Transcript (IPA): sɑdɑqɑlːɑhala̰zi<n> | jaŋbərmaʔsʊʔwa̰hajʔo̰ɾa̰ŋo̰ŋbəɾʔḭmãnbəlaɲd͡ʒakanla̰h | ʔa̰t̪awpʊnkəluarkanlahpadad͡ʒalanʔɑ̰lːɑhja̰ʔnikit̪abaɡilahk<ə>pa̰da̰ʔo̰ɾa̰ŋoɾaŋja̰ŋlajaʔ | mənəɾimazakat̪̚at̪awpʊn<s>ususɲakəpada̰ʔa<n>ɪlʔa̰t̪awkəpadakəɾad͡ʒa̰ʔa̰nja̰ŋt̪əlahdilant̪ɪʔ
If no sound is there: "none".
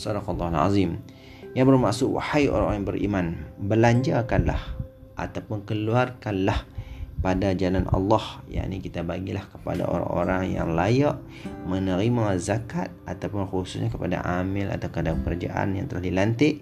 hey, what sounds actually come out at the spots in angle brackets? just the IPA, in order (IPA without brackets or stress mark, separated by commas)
m, ə, x, m